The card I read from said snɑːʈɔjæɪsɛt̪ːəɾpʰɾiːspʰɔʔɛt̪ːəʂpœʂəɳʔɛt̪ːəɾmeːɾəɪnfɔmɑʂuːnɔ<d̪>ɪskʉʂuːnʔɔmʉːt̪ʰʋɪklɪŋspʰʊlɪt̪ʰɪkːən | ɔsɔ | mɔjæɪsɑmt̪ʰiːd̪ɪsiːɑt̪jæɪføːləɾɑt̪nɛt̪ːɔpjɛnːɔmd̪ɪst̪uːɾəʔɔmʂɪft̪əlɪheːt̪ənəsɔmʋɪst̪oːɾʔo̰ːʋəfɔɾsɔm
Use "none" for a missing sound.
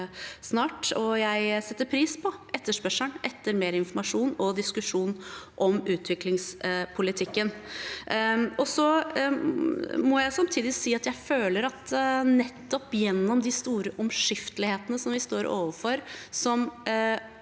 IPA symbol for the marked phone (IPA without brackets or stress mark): d̪